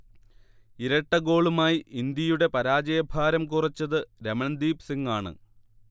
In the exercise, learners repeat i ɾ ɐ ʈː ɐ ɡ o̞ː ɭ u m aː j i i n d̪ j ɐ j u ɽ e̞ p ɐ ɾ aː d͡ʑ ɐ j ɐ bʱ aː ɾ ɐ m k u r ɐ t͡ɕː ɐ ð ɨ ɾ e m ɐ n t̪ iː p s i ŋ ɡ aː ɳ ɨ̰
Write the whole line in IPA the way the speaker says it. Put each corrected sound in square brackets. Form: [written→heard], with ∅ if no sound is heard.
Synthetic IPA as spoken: i ɾ ɐ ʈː ɐ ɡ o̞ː ɭ u m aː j i i n d̪ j ɐ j u ɽ e̞ p ɐ ɾ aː d͡ʑ ɐ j ɐ bʱ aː ɾ ɐ m k u r ɐ t͡ɕː ɐ ð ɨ ɾ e m ɐ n [t̪→d̪] iː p s i ŋ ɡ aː ɳ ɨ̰